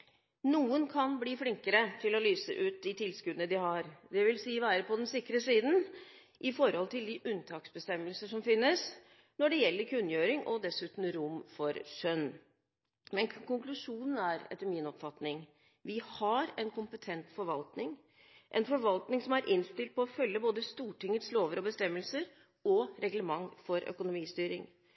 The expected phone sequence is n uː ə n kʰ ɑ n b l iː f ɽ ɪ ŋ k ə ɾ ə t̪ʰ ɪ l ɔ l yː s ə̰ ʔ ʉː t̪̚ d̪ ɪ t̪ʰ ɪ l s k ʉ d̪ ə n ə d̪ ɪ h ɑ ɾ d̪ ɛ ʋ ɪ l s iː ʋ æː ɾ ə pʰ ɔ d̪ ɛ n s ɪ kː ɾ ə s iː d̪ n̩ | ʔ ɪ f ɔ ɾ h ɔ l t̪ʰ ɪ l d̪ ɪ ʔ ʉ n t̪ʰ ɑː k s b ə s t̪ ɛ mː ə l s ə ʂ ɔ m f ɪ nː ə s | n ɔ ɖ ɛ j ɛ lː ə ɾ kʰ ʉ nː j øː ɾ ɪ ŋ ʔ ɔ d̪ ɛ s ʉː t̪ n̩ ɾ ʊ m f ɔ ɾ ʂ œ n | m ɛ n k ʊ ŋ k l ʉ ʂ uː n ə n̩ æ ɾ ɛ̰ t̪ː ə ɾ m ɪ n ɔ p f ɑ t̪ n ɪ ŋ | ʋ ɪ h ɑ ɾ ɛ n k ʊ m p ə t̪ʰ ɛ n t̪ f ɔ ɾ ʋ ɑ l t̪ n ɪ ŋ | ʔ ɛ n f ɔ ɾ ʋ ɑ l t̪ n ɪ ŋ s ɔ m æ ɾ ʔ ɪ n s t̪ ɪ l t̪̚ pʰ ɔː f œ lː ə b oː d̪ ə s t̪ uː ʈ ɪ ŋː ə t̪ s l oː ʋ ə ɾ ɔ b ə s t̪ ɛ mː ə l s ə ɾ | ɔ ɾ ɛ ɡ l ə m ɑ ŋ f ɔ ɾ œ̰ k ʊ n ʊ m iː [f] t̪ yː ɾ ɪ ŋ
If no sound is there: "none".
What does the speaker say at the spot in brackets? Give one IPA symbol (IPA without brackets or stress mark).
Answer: s